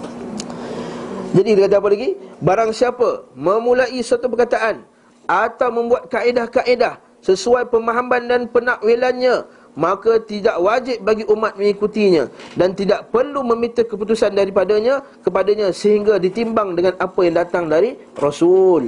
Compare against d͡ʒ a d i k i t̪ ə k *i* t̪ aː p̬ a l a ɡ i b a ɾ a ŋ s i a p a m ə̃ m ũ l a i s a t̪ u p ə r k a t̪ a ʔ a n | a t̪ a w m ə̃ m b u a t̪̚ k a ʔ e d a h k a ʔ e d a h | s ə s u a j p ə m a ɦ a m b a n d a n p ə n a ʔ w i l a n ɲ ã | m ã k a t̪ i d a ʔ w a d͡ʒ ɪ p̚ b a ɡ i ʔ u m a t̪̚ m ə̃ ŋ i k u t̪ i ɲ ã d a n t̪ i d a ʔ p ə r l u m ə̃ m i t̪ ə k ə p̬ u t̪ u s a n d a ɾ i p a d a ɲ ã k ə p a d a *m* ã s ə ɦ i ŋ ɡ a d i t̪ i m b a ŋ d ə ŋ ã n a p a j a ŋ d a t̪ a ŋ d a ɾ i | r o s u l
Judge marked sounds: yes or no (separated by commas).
no, no